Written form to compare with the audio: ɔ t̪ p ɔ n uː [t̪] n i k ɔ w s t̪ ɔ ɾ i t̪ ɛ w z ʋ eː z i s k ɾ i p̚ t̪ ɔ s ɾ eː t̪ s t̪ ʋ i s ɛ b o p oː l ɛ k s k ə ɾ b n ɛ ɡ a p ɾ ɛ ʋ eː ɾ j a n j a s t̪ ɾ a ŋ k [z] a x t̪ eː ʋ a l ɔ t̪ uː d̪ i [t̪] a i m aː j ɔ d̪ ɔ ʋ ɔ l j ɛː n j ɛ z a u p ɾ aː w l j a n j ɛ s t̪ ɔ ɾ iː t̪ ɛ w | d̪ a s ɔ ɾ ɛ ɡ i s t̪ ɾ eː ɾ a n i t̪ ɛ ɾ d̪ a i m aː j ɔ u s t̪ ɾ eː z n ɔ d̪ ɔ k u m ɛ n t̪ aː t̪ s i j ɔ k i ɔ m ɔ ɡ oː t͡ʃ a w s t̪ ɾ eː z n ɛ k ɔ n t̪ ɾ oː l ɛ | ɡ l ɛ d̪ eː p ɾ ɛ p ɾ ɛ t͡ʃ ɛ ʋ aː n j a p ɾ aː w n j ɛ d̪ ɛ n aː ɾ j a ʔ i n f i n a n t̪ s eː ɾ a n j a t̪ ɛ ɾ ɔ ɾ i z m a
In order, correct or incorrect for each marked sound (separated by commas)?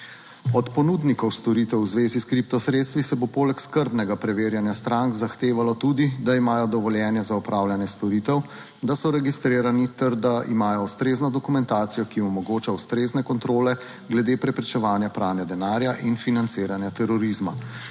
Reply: incorrect, correct, incorrect